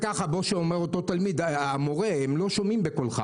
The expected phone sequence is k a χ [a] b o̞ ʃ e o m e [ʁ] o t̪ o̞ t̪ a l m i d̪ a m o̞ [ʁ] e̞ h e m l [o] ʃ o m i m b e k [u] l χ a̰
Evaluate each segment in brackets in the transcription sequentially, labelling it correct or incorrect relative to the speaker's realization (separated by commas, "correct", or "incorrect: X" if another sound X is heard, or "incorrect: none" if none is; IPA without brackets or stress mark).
correct, correct, correct, correct, incorrect: o